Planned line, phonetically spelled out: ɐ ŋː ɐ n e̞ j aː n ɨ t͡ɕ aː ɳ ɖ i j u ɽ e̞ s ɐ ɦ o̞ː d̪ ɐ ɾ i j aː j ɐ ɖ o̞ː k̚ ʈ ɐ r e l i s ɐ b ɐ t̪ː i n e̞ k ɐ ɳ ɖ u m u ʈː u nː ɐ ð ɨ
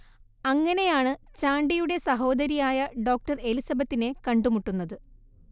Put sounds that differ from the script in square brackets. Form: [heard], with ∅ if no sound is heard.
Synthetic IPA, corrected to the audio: ɐ ŋː ɐ n e̞ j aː [ɳ] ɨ t͡ɕ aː ɳ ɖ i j u ɽ e̞ s ɐ ɦ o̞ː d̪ ɐ ɾ i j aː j ɐ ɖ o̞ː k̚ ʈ ɐ r e l i s ɐ b ɐ t̪ː i n e̞ k ɐ ɳ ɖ u m u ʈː u nː ɐ ð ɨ